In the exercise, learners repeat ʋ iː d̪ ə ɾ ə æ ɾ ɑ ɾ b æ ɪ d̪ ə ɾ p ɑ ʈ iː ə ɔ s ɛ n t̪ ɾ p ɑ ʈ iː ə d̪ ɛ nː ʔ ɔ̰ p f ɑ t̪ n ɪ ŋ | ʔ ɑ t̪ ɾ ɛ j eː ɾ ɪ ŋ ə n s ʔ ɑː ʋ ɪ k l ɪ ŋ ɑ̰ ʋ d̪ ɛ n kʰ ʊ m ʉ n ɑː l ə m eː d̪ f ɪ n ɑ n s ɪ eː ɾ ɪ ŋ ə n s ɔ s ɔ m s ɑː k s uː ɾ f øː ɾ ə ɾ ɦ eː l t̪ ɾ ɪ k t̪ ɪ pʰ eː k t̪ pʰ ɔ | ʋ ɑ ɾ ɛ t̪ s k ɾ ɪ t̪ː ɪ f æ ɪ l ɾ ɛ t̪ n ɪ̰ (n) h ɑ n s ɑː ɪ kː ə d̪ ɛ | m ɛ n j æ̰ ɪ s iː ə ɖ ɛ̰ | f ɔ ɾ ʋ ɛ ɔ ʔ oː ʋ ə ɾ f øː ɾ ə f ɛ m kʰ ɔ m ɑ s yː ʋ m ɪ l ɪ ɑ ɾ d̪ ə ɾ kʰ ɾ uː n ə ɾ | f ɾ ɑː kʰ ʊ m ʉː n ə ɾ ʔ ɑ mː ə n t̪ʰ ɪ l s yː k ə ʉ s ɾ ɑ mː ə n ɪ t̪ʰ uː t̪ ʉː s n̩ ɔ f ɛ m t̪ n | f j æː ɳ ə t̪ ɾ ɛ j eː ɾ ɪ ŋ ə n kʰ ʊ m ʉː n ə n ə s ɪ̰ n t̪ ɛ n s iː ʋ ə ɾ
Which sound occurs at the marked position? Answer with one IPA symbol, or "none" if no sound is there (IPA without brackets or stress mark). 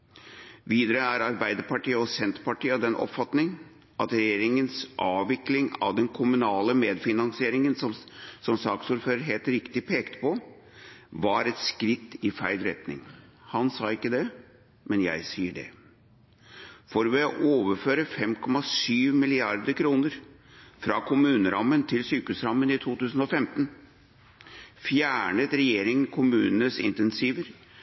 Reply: ŋ